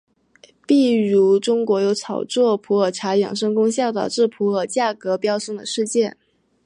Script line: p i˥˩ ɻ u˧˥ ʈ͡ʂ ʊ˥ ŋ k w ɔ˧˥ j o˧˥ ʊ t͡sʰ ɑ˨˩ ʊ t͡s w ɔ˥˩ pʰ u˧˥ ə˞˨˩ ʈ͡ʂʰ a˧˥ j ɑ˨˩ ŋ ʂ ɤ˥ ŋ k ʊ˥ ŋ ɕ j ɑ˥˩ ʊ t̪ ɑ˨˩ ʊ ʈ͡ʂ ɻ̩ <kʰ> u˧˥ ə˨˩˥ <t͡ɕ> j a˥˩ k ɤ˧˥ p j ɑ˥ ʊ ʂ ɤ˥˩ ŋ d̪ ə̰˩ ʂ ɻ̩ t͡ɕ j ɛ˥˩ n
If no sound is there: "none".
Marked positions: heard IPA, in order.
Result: pʰ, t͡ɕ

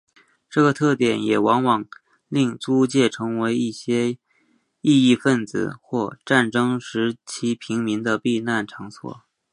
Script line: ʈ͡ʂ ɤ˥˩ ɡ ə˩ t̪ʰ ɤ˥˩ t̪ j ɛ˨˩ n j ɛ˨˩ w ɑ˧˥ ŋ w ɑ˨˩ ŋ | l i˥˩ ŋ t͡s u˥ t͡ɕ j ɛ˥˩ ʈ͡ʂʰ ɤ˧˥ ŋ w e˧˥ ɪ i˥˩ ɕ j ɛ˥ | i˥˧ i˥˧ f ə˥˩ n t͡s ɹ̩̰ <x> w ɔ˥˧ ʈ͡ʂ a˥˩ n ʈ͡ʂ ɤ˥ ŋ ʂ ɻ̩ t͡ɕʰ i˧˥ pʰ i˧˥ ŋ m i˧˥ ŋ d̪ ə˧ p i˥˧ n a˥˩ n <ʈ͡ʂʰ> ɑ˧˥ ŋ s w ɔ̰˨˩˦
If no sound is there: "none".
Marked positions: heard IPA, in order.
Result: x, ʈ͡ʂʰ

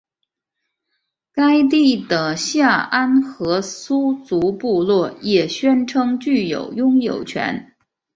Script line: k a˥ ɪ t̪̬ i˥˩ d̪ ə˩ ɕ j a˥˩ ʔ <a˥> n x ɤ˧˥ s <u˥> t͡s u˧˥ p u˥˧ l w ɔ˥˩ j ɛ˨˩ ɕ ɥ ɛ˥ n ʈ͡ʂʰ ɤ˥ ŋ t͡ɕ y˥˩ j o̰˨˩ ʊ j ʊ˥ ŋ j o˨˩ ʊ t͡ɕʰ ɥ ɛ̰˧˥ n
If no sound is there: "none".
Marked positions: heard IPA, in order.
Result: a˥, u˥

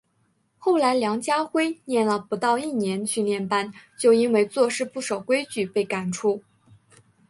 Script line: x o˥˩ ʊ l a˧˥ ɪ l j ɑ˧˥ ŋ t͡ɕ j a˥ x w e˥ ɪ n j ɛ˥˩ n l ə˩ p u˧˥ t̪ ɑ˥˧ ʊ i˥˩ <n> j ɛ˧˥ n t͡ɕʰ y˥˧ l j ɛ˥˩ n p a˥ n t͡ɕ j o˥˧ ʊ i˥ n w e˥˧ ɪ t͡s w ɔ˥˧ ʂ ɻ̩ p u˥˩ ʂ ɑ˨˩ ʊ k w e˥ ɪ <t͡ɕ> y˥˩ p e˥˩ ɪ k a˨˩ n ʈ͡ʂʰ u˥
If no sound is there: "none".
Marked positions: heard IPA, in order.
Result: n, t͡ɕ

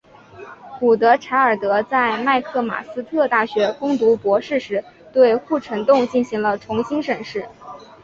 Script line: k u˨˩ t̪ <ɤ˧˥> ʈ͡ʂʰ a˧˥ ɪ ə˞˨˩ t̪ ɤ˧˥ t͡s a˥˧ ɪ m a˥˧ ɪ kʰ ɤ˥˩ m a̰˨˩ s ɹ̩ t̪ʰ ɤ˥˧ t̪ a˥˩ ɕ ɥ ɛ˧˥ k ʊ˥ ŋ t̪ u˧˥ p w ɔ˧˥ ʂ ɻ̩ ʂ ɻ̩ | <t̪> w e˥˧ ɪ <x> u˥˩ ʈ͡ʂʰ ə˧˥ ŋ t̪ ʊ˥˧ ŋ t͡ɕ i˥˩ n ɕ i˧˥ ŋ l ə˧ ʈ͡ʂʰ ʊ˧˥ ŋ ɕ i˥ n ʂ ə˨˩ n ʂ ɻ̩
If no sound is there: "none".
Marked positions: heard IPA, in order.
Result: ɤ˧˥, t̪, x

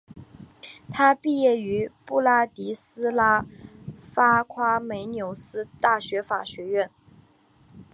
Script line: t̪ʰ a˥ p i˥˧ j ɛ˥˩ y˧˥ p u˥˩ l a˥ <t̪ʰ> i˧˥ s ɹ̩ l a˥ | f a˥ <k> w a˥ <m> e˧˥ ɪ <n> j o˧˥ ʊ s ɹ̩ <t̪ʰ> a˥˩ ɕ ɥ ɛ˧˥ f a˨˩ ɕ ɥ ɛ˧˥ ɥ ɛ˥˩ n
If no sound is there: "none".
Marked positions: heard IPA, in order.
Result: t̪, kʰ, m, n, t̪

